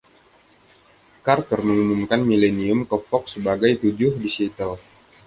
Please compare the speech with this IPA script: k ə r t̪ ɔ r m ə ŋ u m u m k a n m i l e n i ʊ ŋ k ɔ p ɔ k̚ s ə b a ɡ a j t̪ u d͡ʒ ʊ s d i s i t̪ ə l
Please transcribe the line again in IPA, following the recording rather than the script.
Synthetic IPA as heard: k a r t̪ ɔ r m ə ŋ u m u m k a n m i l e n i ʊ m k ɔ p ɔ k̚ s ə b a ɡ a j t̪ u d͡ʒ ʊ h d i s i t̪ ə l